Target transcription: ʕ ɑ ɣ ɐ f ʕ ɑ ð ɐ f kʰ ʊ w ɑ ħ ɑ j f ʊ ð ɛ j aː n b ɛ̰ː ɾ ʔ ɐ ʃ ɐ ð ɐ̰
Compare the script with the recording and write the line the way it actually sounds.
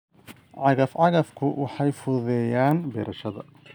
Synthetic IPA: ʕ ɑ ɣ ɐ f ʕ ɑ ɣ ɐ f kʰ ʊ w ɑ ħ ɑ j f ʊ ð ɛ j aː n b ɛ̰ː ɾ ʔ ɐ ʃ ɐ ð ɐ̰